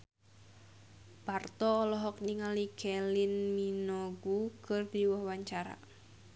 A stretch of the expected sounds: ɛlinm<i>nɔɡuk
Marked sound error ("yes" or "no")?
no